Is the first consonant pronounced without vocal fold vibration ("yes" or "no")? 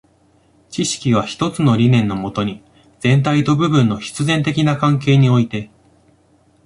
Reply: yes